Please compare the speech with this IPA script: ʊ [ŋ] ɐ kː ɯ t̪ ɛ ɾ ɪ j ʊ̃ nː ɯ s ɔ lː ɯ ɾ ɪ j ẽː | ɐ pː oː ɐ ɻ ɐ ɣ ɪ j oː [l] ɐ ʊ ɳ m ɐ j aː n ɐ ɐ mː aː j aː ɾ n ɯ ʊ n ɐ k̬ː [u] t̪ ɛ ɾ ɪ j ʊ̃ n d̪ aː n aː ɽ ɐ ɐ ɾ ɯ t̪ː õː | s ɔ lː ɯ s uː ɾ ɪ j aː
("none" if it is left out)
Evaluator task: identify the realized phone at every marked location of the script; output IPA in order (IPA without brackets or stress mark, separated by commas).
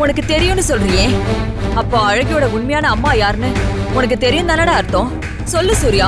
n, ɽ, ɯ